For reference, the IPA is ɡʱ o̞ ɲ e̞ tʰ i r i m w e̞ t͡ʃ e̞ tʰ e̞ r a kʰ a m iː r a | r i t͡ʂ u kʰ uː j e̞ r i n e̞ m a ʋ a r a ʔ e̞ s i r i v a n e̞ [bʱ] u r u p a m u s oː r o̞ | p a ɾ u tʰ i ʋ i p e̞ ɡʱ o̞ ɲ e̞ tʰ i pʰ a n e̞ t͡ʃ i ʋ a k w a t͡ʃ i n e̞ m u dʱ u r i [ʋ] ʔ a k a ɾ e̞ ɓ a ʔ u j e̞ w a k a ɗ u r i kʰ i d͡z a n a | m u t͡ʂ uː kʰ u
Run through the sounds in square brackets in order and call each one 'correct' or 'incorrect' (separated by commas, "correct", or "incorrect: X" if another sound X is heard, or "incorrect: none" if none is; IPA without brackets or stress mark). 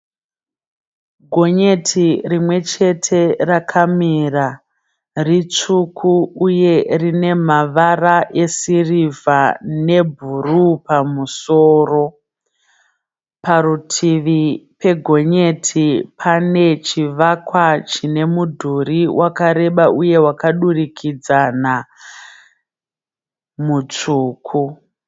correct, incorrect: w